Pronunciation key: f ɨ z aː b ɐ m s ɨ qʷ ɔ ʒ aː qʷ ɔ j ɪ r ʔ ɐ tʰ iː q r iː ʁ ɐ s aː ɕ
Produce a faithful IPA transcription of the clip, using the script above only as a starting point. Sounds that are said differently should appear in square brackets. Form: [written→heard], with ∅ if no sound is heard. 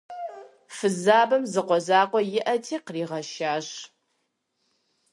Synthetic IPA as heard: f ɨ z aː b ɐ m [s→z] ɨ qʷ ɔ [ʒ→z] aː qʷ ɔ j ɪ [r→∅] ʔ ɐ tʰ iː q r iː ʁ ɐ [s→ʃ] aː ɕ